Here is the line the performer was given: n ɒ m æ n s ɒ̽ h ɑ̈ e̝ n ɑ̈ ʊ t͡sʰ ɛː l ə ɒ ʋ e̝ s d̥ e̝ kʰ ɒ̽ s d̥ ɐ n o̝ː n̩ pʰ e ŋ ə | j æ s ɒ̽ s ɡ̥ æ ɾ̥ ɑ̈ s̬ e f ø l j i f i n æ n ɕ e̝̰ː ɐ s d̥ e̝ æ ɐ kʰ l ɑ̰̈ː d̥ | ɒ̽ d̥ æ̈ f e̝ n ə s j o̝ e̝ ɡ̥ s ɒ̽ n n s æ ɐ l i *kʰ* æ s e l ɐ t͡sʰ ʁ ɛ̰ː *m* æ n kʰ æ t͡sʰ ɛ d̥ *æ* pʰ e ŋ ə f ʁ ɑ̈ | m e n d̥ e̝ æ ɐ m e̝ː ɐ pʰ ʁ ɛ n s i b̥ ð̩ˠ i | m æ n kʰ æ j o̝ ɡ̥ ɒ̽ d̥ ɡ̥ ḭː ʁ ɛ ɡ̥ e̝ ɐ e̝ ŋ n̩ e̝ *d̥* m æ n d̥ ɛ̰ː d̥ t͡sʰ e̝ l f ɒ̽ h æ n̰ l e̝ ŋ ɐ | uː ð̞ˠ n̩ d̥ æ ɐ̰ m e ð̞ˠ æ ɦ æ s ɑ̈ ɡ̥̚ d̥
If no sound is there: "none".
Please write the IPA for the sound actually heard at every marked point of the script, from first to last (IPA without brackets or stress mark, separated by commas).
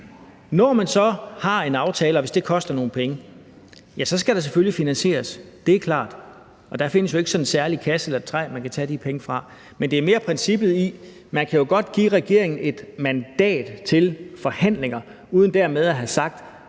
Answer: kʰ, m, i, d̥